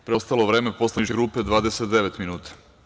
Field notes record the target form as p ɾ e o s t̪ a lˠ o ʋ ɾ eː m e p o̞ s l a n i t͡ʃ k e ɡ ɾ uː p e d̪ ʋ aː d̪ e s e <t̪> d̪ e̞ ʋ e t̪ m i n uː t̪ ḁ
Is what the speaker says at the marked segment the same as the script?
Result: yes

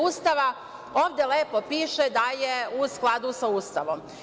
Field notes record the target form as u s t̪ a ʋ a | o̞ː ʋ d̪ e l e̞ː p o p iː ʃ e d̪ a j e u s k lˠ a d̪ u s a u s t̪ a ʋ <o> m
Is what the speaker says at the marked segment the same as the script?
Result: yes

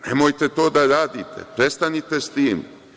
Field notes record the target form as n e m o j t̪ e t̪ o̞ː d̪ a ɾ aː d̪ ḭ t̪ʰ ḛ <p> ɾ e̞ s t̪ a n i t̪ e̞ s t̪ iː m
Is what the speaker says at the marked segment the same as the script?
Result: yes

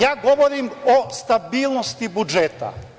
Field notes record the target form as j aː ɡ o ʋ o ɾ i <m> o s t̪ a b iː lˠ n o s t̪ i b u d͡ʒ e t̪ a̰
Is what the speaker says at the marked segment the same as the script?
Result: yes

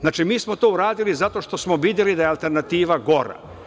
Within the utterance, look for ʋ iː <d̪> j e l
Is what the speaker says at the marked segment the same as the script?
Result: yes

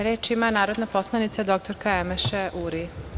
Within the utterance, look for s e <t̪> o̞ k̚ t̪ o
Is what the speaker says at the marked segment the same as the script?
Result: no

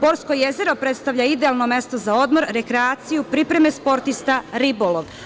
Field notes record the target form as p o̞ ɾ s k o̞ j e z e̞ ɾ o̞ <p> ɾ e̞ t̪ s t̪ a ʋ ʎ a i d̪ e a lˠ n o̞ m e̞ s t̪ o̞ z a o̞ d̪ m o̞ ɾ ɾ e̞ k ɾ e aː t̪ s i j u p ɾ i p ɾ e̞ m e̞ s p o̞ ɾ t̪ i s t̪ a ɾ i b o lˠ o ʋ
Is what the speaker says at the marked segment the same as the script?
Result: yes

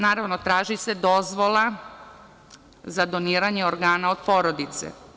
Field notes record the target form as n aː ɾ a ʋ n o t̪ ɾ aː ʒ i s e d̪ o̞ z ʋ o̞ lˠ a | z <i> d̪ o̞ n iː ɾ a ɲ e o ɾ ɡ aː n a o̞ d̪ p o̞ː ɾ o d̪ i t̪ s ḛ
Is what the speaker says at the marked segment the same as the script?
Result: no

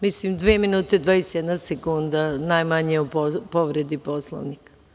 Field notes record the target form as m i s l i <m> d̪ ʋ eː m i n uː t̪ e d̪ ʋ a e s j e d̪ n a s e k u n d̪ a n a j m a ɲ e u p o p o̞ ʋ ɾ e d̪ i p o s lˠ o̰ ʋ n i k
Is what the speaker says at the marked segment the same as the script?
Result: yes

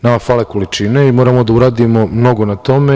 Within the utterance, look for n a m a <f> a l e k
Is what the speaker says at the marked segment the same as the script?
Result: yes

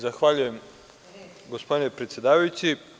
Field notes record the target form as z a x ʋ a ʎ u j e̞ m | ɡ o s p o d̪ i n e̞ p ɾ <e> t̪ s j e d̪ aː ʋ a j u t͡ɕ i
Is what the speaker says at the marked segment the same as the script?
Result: yes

